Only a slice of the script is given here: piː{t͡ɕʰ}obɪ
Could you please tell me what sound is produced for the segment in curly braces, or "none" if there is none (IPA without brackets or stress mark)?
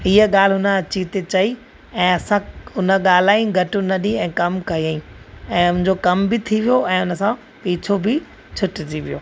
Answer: t͡ɕʰ